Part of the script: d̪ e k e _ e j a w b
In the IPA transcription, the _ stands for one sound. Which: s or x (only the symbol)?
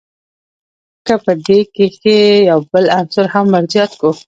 x